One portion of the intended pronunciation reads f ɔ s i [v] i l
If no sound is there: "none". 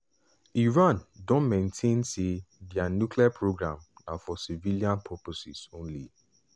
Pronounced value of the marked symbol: v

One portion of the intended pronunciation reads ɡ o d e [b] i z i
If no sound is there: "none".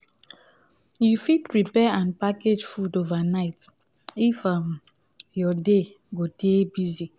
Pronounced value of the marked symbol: b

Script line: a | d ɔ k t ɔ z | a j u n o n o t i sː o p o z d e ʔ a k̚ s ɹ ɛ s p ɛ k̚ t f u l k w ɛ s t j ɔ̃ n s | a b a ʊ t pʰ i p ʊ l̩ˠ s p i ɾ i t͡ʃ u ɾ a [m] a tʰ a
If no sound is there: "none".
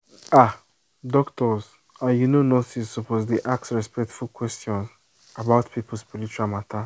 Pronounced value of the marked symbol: m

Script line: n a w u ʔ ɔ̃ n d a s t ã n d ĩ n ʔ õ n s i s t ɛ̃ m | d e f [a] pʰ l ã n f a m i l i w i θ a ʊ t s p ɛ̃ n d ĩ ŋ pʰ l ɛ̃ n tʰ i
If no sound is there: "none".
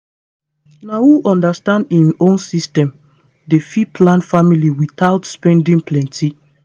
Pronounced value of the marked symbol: i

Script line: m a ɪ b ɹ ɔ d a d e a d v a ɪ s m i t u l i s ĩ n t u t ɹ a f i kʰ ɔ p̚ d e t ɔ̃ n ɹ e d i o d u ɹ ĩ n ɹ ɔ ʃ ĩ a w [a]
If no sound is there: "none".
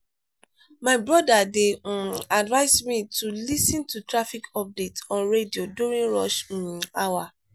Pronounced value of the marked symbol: a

